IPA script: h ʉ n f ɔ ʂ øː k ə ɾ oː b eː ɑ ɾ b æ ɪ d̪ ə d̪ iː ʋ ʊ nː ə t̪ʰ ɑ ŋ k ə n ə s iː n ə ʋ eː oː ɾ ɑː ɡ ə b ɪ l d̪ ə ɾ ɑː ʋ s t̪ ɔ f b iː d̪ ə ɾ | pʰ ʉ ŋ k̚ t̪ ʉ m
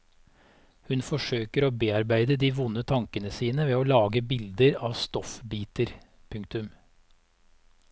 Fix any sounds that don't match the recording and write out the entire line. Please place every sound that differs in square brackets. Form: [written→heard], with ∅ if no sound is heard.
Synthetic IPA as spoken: h ʉ n f ɔ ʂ øː k ə ɾ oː b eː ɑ ɾ b æ ɪ d̪ ə d̪ iː ʋ ʊ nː ə t̪ʰ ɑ ŋ k ə n ə s iː n ə ʋ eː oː [ɾ→l] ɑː ɡ ə b ɪ l d̪ ə ɾ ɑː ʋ s t̪ ɔ f b iː [d̪→t̪] ə ɾ | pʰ ʉ ŋ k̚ t̪ ʉ m